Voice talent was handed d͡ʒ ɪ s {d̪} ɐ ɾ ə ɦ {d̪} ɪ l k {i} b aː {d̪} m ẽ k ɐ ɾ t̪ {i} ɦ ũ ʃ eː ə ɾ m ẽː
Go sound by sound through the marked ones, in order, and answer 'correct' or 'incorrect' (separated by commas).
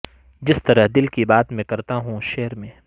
incorrect, correct, correct, incorrect, incorrect